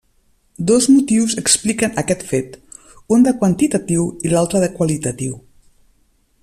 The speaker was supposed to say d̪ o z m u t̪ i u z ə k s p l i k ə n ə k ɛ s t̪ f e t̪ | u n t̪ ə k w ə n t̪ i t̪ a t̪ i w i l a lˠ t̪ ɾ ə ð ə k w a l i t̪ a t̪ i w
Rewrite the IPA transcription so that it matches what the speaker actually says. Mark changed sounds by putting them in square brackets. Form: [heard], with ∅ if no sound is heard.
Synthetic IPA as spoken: d̪ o z m u t̪ i [w] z ə k s p l i k ə n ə k ɛ [∅] t̪ f e t̪ | u n [d̪] ə k w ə n t̪ i t̪ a t̪ i w i l a lˠ t̪ ɾ ə ð ə k w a l i t̪ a t̪ i w